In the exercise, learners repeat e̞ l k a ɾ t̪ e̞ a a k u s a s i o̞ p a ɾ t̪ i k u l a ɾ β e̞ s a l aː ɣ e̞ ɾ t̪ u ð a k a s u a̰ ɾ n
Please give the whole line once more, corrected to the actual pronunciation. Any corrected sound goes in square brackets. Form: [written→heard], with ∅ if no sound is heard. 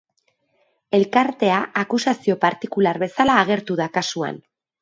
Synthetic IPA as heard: e̞ l k a ɾ t̪ e̞ a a k u s a s i o̞ p a ɾ t̪ i k u l a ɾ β e̞ s a l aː ɣ e̞ ɾ t̪ u ð a k a s u a̰ [ɾ→∅] n